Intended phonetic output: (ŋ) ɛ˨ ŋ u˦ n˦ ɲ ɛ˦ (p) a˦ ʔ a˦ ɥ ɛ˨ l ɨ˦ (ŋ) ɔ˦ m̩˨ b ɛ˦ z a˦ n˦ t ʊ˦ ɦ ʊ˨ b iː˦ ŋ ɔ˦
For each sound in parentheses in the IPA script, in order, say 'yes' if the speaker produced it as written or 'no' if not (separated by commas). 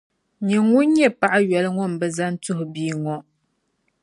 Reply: no, yes, yes